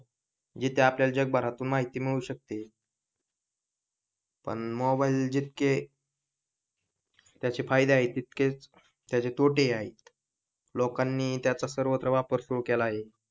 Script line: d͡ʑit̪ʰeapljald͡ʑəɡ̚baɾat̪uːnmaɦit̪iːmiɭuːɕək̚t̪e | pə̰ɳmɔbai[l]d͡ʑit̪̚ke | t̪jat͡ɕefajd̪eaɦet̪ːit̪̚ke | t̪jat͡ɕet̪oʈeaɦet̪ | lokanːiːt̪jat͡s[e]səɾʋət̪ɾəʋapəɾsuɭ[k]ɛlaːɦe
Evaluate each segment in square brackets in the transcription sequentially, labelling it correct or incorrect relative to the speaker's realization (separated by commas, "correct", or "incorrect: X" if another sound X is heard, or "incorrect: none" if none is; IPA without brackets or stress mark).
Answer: correct, incorrect: a, correct